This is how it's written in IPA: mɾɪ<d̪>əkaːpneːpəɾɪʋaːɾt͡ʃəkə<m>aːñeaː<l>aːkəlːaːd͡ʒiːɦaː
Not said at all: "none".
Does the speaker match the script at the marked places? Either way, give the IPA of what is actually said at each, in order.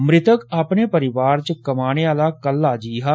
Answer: t̪, m, l

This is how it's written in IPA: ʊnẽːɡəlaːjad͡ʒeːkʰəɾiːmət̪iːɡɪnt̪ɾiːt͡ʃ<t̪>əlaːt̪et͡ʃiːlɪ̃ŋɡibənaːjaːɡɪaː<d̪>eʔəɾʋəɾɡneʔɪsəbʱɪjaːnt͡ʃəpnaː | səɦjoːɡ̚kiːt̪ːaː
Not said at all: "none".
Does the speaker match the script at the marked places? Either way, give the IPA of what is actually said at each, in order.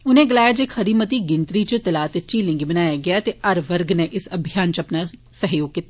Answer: t̪, t̪

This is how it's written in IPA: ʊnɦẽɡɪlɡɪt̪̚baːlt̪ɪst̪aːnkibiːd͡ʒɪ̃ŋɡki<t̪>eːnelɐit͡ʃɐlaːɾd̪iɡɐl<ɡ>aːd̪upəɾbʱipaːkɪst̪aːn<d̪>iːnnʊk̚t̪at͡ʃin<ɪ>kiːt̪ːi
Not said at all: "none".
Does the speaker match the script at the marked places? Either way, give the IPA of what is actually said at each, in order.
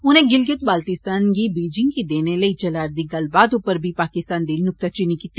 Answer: d̪, b, d̪, i

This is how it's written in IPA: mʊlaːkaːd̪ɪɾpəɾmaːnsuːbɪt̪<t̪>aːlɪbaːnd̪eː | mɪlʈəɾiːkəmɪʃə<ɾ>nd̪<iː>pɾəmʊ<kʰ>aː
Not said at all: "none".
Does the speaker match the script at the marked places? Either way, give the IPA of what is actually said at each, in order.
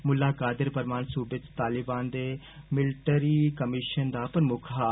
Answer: t̪, none, aː, kʰ

